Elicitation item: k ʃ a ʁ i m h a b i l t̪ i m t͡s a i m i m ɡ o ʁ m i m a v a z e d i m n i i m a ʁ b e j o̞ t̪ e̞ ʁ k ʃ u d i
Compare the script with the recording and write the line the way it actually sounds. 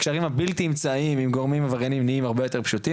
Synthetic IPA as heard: k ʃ a ʁ i m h a b i l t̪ i m t͡s a i m i m ɡ o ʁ m i m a v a ʁ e n i m n i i m a ʁ b e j o̞ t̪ e̞ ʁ p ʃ u t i